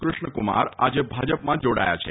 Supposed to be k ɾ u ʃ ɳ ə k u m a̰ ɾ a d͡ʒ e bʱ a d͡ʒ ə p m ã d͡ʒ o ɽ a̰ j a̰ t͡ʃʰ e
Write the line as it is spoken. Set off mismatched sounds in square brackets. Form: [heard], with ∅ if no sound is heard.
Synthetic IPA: k ɾ u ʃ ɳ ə k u m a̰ ɾ a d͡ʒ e bʱ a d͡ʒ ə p m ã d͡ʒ o ɽ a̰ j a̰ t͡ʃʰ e